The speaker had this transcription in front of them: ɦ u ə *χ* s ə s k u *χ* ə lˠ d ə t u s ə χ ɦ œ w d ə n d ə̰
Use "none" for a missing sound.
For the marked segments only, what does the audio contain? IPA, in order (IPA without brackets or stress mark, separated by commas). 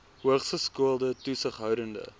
χ, none